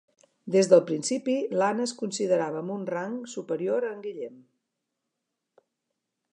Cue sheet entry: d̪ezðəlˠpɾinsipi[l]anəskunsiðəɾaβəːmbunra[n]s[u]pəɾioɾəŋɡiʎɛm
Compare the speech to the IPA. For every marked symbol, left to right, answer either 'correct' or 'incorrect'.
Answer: correct, incorrect, correct

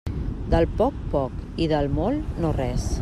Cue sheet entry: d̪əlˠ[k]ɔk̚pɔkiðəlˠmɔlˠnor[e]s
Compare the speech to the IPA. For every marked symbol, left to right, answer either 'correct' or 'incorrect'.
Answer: incorrect, incorrect

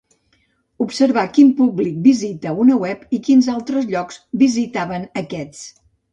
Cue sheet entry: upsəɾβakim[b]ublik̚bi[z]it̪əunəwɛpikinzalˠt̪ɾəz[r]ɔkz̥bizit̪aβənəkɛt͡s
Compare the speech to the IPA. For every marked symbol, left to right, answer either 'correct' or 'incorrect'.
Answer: incorrect, correct, incorrect

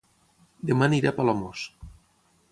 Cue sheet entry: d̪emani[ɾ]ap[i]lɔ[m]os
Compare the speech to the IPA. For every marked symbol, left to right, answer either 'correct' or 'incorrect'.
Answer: correct, incorrect, correct

